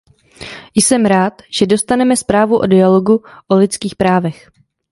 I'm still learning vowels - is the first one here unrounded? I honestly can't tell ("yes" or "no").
yes